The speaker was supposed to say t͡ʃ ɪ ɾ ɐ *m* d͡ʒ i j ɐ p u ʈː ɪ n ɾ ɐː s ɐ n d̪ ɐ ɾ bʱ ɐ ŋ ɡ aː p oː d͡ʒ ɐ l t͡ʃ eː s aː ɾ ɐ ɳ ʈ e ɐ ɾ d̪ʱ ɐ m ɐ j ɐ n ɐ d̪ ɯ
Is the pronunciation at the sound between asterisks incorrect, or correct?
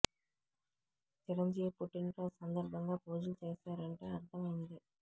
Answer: incorrect